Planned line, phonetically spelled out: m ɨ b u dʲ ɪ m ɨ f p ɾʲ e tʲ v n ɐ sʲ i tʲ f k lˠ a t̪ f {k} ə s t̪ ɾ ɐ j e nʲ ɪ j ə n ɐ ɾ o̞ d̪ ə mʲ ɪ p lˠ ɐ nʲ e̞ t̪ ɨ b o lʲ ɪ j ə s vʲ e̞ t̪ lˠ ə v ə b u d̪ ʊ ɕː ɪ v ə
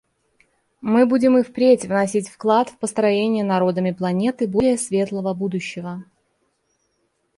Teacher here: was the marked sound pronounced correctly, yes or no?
no